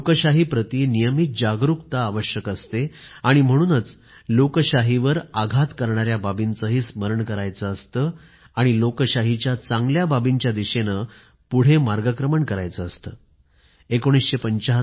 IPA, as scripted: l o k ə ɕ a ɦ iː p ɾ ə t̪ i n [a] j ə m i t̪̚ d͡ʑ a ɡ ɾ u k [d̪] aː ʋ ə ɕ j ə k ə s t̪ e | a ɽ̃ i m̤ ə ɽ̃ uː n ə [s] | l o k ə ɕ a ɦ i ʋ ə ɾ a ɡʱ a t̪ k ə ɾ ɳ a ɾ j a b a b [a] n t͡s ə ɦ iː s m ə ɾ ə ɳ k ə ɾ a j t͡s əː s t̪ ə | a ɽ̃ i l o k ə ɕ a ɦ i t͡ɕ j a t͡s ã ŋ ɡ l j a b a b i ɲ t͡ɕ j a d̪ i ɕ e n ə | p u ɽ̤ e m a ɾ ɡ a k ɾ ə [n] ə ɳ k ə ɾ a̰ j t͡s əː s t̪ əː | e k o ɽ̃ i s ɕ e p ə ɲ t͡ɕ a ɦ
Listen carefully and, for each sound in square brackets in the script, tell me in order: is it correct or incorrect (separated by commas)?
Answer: incorrect, incorrect, incorrect, incorrect, incorrect